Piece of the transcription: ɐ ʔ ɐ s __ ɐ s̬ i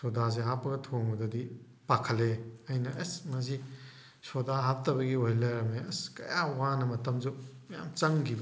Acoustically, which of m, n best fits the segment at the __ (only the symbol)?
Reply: m